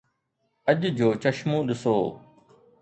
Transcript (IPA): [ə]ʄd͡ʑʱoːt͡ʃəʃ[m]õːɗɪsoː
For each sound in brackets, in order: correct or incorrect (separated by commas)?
correct, correct